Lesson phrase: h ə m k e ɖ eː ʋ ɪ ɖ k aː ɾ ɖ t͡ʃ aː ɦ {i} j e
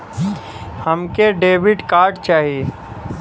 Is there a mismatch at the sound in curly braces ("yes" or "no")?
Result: no